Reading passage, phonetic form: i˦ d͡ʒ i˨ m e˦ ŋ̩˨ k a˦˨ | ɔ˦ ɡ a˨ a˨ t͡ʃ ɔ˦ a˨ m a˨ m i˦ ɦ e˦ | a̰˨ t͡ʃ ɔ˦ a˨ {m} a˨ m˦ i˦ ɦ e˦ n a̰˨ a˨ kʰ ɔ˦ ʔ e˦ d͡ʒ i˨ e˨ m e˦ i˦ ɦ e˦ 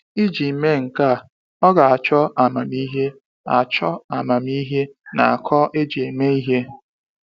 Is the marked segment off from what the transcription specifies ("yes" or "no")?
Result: no